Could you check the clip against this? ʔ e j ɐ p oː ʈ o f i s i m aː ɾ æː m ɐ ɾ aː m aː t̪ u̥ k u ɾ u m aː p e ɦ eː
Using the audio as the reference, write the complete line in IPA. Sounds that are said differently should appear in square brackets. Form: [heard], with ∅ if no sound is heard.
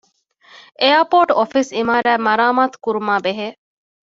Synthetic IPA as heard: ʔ e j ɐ p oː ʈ o f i s i m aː ɾ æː m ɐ ɾ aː m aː t̪ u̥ k u ɾ u m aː [b] e ɦ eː